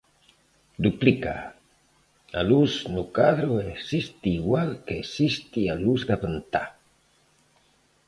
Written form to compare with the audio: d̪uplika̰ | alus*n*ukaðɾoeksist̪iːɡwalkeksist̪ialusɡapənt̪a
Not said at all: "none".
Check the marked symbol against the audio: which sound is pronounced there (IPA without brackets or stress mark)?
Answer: n